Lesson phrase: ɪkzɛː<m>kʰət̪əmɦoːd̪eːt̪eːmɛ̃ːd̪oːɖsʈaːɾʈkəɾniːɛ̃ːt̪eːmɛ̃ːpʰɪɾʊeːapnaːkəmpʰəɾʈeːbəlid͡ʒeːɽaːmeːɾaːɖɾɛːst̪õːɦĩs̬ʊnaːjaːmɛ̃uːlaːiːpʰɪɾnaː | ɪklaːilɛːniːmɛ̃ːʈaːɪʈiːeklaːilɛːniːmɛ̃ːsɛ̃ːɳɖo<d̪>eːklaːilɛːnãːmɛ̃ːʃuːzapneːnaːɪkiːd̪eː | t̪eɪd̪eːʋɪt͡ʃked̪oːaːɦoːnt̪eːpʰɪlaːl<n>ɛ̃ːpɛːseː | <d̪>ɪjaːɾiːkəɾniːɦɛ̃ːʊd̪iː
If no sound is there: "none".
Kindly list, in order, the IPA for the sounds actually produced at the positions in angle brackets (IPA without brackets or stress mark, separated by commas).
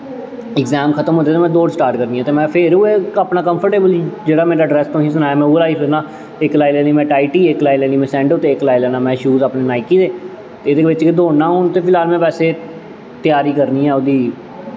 m, t̪, m, t̪